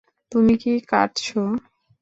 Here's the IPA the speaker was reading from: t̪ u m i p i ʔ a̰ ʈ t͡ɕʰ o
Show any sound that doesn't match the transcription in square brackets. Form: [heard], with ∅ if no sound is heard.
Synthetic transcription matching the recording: t̪ u m i [k] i [k] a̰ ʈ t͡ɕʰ o